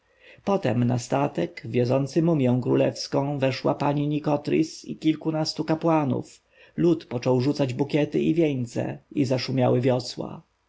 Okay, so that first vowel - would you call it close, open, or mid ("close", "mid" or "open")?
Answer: mid